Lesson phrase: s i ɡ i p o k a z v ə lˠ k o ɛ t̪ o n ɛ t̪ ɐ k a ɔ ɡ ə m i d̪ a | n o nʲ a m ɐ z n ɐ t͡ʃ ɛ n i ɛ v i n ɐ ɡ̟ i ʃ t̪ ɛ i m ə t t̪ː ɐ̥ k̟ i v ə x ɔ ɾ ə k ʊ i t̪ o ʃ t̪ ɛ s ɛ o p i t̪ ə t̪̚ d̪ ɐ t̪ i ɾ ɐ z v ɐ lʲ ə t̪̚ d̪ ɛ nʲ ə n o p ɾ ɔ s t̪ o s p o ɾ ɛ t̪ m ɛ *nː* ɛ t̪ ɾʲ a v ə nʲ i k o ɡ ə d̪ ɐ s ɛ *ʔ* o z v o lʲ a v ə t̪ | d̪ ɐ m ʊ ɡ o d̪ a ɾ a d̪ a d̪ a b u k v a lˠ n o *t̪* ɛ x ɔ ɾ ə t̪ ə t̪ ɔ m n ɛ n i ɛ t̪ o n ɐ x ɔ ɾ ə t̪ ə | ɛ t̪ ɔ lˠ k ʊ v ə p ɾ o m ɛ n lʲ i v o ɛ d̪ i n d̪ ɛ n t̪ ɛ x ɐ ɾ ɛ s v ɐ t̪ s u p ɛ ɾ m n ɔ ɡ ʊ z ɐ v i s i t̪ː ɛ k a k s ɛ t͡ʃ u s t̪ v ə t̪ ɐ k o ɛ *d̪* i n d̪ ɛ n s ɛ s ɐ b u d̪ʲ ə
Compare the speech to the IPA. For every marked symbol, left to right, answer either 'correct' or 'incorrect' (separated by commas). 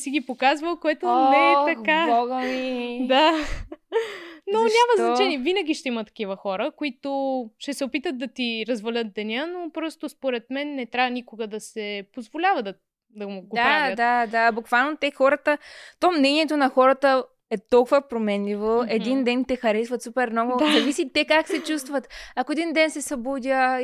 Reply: correct, incorrect, correct, correct